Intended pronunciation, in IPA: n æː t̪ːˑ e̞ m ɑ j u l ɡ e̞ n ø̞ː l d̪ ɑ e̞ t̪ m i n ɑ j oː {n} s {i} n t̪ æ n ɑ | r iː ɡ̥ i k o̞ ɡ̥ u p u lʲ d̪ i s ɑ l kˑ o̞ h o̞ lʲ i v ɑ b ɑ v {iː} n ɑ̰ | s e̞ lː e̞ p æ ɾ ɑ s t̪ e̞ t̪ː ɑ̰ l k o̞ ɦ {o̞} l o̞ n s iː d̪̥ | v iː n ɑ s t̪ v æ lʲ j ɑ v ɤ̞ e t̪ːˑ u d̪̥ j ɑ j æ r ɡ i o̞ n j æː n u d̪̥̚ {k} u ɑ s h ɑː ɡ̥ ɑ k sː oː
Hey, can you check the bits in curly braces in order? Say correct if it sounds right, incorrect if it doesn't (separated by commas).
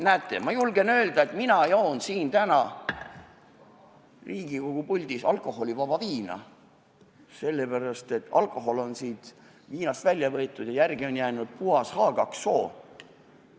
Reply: correct, incorrect, correct, correct, incorrect